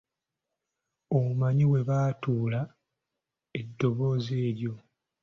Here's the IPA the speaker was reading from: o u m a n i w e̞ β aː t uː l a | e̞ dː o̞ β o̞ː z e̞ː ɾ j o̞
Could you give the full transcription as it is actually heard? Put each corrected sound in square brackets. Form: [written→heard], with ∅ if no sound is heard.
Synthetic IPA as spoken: o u m a [n→ɲ] i w e̞ β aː t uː l a | e̞ dː o̞ β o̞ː z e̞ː ɾ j o̞